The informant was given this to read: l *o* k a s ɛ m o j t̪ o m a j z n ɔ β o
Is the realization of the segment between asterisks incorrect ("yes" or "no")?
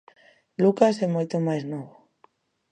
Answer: yes